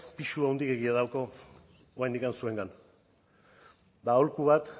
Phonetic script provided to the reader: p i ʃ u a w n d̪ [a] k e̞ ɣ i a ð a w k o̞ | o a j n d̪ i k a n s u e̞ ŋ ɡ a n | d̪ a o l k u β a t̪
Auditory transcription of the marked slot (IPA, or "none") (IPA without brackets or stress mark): i